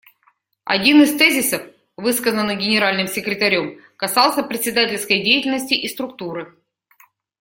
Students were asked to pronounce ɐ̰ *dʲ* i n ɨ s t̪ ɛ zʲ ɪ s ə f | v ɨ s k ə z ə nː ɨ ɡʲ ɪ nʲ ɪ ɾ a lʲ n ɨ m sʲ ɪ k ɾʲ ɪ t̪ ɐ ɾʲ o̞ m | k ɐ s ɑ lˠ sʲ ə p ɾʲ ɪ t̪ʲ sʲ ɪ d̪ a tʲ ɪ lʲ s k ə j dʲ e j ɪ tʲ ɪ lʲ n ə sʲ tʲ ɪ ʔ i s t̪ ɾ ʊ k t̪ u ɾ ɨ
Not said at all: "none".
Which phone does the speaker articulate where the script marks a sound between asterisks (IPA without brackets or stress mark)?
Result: dʲ